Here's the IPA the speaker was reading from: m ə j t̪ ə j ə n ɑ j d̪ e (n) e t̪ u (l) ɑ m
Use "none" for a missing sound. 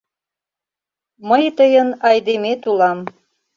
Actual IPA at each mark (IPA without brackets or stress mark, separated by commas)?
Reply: m, l